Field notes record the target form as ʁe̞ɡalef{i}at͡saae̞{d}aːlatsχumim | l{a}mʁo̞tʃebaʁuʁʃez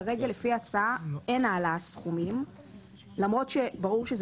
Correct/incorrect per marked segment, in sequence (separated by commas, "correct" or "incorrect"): correct, incorrect, correct